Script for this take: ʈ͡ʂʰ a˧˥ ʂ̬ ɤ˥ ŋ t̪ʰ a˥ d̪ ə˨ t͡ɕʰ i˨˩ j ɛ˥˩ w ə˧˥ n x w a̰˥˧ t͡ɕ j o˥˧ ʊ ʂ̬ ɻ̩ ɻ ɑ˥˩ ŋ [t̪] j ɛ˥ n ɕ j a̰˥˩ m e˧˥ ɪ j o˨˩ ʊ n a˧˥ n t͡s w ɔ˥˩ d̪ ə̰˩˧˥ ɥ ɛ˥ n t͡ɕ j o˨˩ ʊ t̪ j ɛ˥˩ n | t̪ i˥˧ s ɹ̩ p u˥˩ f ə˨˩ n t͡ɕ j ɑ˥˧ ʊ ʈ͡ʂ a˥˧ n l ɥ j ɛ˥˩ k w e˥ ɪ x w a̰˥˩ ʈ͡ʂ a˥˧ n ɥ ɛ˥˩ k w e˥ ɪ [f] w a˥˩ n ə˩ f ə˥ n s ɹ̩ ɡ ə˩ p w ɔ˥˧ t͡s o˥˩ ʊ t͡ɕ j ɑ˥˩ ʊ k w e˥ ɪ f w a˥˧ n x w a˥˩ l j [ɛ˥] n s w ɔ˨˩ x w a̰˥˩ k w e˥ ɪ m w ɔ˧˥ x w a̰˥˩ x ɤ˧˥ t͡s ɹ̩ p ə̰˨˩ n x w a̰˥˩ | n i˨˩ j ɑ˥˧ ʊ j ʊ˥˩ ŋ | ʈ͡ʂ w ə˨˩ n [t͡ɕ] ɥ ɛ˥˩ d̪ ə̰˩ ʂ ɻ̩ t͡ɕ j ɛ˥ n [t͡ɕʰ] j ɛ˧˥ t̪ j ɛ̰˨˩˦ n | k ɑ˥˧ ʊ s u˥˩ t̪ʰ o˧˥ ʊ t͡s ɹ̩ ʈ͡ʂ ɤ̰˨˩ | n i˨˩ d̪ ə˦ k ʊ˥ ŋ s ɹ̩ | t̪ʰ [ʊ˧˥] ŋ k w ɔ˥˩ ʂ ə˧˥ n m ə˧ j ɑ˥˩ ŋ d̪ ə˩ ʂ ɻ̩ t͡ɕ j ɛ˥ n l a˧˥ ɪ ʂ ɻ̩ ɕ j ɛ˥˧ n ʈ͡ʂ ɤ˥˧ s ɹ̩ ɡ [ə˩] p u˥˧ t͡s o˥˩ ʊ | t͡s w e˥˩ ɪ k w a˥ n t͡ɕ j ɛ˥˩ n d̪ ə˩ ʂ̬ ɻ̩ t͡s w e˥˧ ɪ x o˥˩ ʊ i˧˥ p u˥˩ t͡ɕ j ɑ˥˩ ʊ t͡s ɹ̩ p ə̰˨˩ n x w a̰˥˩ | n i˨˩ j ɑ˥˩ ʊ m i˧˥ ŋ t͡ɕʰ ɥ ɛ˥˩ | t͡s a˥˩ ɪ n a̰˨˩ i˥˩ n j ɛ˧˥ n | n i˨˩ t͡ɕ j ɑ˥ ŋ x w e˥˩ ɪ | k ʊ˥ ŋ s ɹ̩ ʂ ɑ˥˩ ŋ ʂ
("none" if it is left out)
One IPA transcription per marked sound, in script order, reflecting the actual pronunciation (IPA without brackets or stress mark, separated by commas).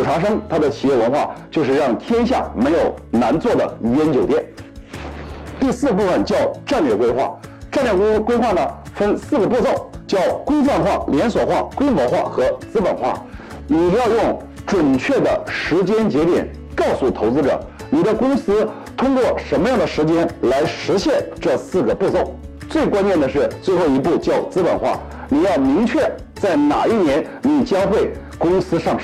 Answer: t̪ʰ, x, ɛ˧˥, t͡ɕʰ, t͡ɕ, ʊ˥, ə˩